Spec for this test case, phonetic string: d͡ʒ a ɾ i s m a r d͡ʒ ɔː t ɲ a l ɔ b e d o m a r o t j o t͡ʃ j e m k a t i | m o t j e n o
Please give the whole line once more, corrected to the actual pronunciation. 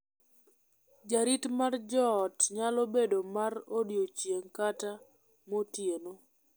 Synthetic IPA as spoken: d͡ʒ a ɾ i t m a r d͡ʒ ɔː t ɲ a l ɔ b e d o m a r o d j o t͡ʃ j e ŋ k a t a | m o t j e n o